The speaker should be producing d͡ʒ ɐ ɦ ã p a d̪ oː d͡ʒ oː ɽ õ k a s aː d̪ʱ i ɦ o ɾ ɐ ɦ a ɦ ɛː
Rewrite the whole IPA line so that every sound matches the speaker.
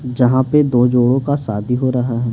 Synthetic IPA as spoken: d͡ʒ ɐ ɦ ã p e d̪ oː d͡ʒ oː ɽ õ k a s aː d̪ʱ i ɦ o ɾ ɐ ɦ a ɦ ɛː